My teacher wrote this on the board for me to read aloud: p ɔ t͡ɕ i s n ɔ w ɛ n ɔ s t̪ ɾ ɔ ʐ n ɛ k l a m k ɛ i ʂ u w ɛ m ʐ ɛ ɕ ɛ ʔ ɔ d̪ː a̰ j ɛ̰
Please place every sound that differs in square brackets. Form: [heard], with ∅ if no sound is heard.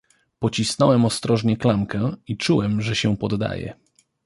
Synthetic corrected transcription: p ɔ t͡ɕ i s n ɔ w ɛ [m] ɔ s t̪ ɾ ɔ ʐ [ɲ] ɛ k l a m k ɛ i [t͡ʂ] u w ɛ m ʐ ɛ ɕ ɛ [p] ɔ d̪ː a̰ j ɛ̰

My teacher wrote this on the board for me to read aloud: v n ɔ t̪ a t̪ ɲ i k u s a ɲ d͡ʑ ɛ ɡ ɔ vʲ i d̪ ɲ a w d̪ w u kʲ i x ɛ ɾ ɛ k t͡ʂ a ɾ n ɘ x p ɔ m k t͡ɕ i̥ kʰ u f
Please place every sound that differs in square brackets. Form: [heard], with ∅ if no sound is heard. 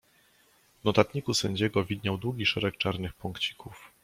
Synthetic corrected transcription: v n ɔ t̪ a t̪ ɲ i k u s [ɛ] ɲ d͡ʑ ɛ ɡ ɔ vʲ i d̪ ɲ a w d̪ w u [ɡʲ] i [ʂ] ɛ ɾ ɛ k t͡ʂ a ɾ n ɘ x p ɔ [ŋ] k t͡ɕ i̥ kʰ u f

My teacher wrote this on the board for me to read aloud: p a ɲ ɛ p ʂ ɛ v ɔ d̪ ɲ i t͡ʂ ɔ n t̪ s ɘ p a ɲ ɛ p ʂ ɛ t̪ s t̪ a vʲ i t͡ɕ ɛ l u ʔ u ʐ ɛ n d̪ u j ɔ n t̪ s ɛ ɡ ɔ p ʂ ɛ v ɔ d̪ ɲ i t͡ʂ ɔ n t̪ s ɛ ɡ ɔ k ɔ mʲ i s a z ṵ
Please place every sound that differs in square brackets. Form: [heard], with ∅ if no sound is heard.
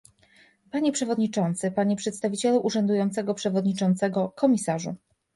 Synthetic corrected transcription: p a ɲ ɛ p ʂ ɛ v ɔ d̪ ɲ i t͡ʂ ɔ n t̪ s ɘ p a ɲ ɛ p ʂ ɛ t̪ s t̪ a vʲ i t͡ɕ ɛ l u ʔ u ʐ ɛ n d̪ u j ɔ n t̪ s ɛ ɡ ɔ p ʂ ɛ v ɔ d̪ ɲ i t͡ʂ ɔ n t̪ s ɛ ɡ ɔ k ɔ mʲ i s a [ʐ] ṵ

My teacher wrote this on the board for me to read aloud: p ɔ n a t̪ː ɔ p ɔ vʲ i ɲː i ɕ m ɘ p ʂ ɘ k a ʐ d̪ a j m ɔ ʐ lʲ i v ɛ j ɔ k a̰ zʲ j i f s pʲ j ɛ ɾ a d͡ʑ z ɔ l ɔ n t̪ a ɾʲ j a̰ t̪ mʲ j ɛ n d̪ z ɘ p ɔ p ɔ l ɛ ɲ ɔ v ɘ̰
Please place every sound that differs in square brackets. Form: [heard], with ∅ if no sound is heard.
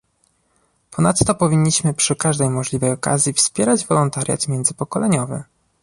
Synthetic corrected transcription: p ɔ n a t̪ː ɔ p ɔ vʲ i ɲː i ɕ m ɘ p ʂ ɘ k a ʐ d̪ [ɛ] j m ɔ ʐ lʲ i v ɛ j ɔ k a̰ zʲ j i f s pʲ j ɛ ɾ a d͡ʑ [v] ɔ l ɔ n t̪ a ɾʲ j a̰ t̪ mʲ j ɛ n d̪ z ɘ p ɔ [k] ɔ l ɛ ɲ ɔ v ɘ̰

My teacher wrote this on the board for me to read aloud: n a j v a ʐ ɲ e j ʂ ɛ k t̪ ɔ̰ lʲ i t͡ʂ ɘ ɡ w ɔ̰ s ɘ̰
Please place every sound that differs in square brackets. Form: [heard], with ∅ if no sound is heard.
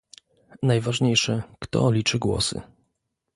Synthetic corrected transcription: n a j v a ʐ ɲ e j ʂ ɛ k t̪ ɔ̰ lʲ i t͡ʂ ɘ ɡ w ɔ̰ s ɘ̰

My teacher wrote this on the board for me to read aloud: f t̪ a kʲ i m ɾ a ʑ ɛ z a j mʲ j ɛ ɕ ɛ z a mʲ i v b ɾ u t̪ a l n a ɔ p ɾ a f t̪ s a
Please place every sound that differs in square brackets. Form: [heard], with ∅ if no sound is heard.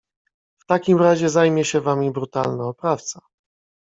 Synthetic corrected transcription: f t̪ a kʲ i m ɾ a ʑ ɛ z a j mʲ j ɛ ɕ ɛ [v] a mʲ i [∅] b ɾ u t̪ a l n a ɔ p ɾ a f t̪ s a

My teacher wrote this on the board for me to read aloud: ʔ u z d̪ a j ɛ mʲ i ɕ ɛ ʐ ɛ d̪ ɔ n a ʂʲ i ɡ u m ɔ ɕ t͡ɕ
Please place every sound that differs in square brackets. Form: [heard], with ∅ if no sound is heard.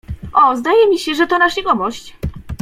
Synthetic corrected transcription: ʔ [ɔ] z d̪ a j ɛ mʲ i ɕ ɛ ʐ ɛ [t̪] ɔ n a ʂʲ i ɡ [ɔ] m ɔ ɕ t͡ɕ

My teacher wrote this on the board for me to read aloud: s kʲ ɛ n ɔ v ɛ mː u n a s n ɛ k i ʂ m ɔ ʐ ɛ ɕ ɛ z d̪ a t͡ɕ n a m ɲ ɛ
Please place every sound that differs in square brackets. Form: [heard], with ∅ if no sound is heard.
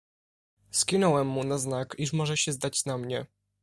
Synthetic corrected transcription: s kʲ [i] n ɔ [w] ɛ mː u n a [z] n [a] k i ʂ m ɔ ʐ ɛ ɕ ɛ z d̪ a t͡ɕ n a m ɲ ɛ

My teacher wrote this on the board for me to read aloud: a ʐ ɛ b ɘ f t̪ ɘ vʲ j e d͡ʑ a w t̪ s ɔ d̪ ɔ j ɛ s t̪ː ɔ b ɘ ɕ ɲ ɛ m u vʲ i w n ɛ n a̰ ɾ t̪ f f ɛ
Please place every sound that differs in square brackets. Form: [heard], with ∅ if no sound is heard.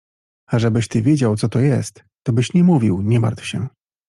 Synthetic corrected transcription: a ʐ ɛ b ɘ [ɕ] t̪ ɘ vʲ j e d͡ʑ a w t̪ s ɔ [t̪] ɔ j ɛ s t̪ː ɔ b ɘ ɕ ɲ ɛ m u vʲ i w [ɲ] ɛ [m] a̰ ɾ t̪ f [ɕ] ɛ

